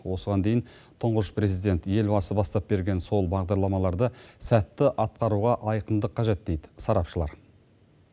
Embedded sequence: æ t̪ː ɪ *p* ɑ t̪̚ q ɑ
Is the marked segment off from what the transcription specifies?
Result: yes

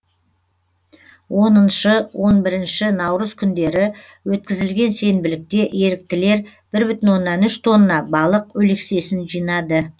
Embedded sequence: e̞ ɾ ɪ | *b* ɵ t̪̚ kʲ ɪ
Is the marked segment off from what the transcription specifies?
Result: yes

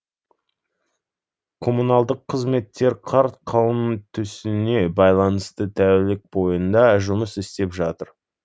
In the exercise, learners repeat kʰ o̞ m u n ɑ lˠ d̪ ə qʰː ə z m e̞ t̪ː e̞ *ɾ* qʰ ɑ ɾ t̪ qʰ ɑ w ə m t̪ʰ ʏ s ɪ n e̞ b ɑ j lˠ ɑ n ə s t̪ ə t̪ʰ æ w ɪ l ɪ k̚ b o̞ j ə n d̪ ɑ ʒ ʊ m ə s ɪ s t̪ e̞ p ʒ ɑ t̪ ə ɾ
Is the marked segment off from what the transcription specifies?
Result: no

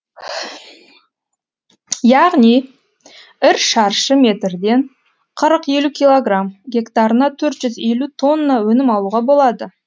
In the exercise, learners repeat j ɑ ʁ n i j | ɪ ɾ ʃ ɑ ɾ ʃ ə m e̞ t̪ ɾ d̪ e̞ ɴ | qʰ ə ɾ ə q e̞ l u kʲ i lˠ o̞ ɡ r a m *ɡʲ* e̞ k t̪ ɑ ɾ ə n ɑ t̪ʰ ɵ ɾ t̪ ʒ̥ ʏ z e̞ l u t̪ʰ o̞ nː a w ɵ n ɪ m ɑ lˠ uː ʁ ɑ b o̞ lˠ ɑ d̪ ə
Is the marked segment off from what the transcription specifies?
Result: no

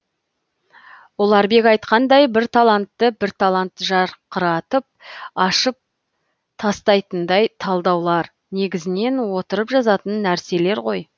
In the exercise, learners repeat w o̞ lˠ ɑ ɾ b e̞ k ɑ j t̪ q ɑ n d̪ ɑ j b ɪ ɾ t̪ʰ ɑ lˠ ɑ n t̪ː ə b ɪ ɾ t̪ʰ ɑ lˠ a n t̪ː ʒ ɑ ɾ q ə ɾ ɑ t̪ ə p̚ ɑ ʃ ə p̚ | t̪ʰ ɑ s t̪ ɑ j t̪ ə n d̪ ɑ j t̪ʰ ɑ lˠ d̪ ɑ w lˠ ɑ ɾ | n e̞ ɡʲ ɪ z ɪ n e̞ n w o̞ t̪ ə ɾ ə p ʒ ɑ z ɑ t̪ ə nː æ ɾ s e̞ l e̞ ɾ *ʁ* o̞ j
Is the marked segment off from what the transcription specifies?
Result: no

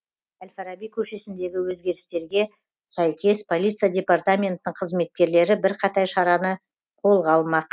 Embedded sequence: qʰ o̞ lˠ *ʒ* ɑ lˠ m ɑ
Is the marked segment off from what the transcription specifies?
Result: yes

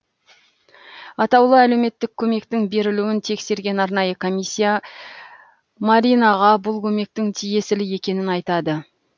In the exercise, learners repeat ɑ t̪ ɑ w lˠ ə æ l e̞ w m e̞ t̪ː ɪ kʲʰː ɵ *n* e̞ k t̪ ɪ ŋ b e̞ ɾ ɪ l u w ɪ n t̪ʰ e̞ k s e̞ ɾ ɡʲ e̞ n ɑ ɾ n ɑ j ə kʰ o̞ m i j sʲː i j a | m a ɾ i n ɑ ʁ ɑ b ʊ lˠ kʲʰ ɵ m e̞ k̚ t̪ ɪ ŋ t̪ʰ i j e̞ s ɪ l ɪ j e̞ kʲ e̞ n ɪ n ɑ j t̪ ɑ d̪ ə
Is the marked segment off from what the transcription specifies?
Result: yes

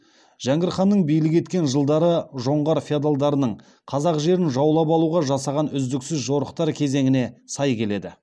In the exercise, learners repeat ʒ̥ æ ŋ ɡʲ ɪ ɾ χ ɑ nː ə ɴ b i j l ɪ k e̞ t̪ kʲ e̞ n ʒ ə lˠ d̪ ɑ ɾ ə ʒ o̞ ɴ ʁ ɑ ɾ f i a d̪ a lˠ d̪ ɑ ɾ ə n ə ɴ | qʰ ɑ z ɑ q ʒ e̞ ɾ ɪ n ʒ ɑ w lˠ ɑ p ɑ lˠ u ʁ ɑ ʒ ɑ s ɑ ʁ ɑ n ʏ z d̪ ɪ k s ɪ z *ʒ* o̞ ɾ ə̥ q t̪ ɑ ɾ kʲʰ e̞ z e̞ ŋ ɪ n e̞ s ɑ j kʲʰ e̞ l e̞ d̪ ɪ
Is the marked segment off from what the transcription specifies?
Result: no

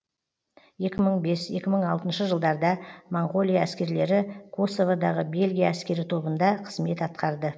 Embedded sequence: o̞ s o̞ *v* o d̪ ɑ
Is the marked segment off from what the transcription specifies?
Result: no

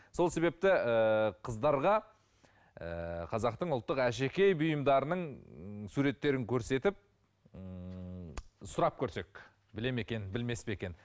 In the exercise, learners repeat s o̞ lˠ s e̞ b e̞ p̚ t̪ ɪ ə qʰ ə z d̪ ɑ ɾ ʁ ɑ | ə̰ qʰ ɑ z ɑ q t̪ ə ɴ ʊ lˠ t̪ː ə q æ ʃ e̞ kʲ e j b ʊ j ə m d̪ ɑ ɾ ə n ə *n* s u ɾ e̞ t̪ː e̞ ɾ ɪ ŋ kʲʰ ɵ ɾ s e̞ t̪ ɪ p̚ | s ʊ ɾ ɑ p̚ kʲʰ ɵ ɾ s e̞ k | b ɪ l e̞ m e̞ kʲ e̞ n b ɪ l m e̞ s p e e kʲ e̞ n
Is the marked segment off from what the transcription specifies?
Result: yes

